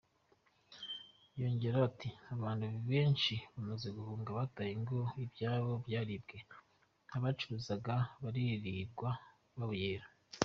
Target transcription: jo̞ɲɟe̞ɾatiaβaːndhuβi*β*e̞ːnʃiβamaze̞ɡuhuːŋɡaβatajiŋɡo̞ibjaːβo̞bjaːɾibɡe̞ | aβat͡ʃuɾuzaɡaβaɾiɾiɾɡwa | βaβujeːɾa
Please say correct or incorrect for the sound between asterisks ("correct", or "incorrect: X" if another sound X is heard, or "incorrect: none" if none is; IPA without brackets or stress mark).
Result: correct